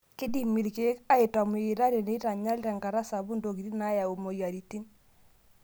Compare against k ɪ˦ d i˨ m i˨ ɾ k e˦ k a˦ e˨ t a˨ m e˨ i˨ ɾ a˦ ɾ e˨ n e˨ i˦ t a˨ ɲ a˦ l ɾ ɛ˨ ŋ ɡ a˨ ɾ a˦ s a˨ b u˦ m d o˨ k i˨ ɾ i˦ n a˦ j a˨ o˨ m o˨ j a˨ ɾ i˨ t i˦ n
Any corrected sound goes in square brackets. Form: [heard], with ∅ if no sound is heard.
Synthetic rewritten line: k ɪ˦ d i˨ m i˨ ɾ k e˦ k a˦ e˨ t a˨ m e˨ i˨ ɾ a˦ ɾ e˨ n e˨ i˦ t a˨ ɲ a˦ l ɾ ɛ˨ ŋ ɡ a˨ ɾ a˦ s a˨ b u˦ [n] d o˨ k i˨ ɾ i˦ n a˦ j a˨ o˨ m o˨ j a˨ ɾ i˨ t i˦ n